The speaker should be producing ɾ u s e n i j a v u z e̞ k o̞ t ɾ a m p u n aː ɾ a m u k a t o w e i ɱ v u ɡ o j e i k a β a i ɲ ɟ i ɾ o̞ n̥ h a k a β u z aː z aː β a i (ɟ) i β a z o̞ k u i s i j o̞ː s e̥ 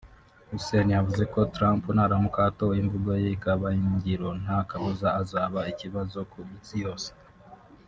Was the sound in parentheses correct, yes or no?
no